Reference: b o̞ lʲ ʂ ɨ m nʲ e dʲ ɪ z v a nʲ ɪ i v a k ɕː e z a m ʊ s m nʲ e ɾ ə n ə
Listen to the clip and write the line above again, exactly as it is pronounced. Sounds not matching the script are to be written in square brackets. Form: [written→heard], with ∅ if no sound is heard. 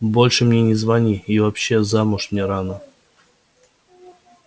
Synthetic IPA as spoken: b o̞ lʲ ʂ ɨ m nʲ e [dʲ→nʲ] ɪ z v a nʲ [ɪ→i] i v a [k→p] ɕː e z a m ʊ [s→ʂ] m nʲ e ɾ [ə→a] n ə